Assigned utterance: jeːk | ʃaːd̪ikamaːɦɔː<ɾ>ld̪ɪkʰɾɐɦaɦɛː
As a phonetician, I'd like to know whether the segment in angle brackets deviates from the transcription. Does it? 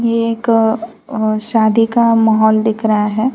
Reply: yes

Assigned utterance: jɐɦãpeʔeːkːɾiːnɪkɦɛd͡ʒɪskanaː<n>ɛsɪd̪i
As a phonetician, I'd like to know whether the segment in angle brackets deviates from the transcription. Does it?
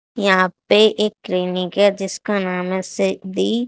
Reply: yes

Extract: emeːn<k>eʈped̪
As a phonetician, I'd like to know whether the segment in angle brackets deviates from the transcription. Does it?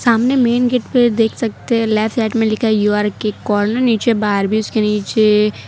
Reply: yes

